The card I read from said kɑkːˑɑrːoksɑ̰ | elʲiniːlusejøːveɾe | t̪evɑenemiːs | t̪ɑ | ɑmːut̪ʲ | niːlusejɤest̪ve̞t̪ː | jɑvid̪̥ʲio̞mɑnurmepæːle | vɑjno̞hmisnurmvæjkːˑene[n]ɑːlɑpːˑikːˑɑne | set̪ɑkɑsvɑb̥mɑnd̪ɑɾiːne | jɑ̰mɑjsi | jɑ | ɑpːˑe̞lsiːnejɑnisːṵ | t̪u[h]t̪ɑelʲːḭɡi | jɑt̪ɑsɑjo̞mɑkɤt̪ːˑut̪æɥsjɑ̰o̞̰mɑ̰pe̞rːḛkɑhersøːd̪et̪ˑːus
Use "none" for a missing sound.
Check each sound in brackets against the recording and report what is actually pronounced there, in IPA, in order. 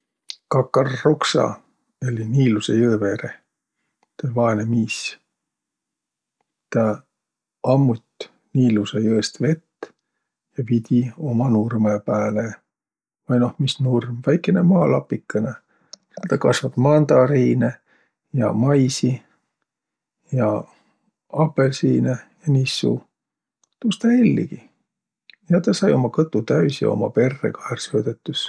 m, s

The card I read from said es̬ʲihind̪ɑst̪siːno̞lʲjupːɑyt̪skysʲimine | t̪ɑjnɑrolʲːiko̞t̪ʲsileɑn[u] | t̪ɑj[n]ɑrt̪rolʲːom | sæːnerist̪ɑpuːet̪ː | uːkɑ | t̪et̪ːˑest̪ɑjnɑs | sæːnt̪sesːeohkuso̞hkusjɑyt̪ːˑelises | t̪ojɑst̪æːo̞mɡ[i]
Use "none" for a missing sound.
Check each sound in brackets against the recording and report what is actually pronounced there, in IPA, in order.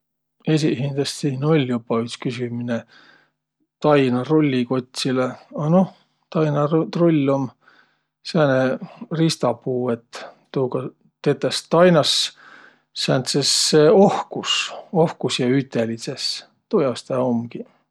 o, n, i

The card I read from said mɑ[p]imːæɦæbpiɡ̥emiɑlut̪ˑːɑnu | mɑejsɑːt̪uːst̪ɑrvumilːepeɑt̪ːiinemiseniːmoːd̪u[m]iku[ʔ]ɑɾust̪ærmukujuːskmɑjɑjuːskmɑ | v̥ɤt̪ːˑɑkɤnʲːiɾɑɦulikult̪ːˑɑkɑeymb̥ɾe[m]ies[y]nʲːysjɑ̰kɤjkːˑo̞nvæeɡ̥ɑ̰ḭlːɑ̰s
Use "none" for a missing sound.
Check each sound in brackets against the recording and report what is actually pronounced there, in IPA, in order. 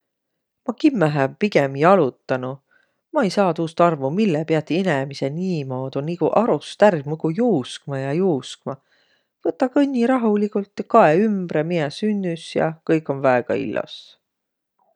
k, n, ʔ, m, y

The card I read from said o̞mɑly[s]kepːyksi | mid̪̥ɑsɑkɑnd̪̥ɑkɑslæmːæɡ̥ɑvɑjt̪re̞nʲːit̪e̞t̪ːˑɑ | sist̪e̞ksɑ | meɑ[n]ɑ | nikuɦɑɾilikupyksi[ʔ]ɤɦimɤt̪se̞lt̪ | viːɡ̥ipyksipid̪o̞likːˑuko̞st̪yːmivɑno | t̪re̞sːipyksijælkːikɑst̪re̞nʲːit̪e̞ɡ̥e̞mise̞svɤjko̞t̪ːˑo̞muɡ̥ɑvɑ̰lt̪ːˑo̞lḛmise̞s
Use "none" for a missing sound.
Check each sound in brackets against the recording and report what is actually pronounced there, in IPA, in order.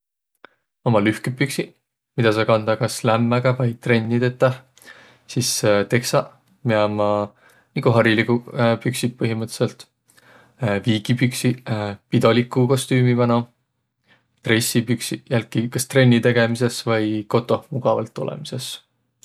h, m, p

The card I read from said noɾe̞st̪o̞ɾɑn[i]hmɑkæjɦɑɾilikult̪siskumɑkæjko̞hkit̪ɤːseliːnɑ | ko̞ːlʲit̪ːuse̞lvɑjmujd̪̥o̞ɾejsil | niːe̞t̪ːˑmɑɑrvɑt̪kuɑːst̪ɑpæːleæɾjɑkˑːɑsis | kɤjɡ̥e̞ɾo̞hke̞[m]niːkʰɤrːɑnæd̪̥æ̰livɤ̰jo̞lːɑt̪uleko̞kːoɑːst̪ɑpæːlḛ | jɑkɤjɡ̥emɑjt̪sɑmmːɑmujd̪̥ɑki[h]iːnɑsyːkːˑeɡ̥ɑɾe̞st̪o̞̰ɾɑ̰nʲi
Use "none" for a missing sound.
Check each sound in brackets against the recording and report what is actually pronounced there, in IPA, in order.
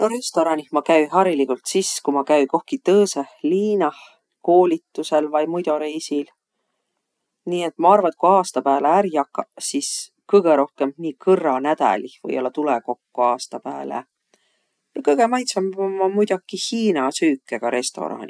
i, m, h

